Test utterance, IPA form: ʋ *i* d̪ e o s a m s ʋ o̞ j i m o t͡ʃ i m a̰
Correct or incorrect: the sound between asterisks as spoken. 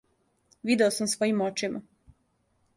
correct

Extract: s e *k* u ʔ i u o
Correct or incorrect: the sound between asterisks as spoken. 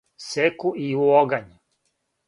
correct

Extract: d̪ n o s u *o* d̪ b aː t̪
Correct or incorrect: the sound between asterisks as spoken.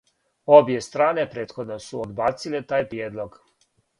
correct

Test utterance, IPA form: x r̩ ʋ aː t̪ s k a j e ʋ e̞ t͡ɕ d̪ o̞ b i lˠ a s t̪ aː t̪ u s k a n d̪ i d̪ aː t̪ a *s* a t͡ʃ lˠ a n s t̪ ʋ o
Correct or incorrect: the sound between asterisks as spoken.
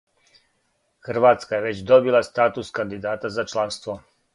incorrect: z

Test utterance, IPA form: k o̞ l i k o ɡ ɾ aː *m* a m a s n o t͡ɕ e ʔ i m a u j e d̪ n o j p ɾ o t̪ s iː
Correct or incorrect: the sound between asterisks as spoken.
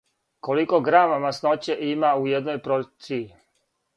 correct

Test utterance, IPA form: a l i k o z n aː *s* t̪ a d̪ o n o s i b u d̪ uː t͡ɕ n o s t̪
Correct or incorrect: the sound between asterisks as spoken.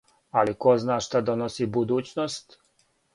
incorrect: ʃ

